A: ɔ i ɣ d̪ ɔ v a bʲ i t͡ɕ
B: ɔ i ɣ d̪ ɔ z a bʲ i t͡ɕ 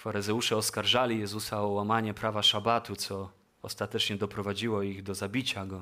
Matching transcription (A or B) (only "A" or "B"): B